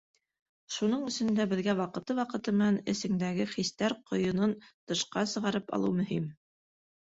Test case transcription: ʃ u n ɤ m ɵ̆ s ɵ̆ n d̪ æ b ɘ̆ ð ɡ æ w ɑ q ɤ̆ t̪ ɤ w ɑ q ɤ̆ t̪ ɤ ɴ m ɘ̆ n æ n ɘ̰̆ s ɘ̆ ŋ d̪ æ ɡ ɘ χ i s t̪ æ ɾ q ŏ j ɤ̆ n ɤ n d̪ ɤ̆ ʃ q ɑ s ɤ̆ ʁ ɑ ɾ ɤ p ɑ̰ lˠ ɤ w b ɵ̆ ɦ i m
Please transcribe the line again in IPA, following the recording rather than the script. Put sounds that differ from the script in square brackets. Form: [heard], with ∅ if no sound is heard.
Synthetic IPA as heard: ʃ u n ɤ [ɴ] ɵ̆ s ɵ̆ n d̪ æ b ɘ̆ ð ɡ æ w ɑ q ɤ̆ t̪ ɤ w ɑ q ɤ̆ t̪ ɤ [∅] m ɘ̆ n æ n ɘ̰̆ s ɘ̆ ŋ d̪ æ ɡ ɘ χ i s t̪ æ ɾ q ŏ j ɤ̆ n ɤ n [t̪] ɤ̆ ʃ q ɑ s ɤ̆ ʁ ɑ ɾ ɤ p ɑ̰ lˠ ɤ w [m] ɵ̆ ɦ i m